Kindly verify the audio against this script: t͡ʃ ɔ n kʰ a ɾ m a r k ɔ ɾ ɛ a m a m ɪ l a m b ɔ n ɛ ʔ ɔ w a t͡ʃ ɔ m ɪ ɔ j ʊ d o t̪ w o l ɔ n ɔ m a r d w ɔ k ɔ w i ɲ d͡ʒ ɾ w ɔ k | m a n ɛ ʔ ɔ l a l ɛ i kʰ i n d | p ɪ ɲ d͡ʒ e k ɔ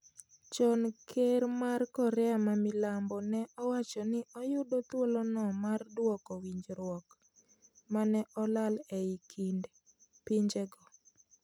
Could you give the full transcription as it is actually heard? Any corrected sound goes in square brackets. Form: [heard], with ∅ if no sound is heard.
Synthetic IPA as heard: t͡ʃ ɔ n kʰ [e] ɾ m a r k ɔ ɾ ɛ a m a m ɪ l a m b ɔ n ɛ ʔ ɔ w a t͡ʃ ɔ [n] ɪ ɔ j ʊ d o t̪ w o l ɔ n ɔ m a r d w ɔ k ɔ w i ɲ d͡ʒ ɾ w ɔ k | m a n ɛ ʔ ɔ l a l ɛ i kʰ i n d | p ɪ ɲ d͡ʒ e [ɡ] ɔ

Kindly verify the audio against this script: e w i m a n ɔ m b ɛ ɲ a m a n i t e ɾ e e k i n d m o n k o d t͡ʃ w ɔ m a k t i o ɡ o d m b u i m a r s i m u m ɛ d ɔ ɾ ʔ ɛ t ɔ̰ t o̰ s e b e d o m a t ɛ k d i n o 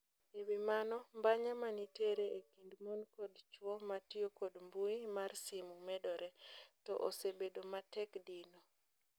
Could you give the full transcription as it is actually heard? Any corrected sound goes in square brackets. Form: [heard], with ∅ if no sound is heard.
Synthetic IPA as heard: e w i m a n ɔ m b [a] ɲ a m a n i t e ɾ e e k i n d m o n k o d t͡ʃ w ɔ m a [∅] t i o [k] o d m b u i m a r s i m u m ɛ d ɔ ɾ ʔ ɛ t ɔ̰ [ʔ] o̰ s e b e d o m a t ɛ k d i n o

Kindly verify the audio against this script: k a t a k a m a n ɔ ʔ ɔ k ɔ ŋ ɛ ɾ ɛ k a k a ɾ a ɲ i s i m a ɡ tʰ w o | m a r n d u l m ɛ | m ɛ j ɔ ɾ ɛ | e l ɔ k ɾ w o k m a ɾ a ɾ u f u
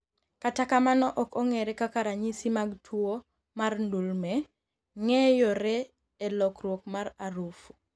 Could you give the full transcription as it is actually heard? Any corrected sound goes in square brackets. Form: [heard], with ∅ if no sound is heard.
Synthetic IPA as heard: k a t a k a m a n ɔ ʔ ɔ k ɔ ŋ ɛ ɾ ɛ k a k a ɾ a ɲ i s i m a ɡ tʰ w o | m a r n d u l m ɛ | [ŋ] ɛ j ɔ ɾ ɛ | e l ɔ k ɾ w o k m a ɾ a ɾ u f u

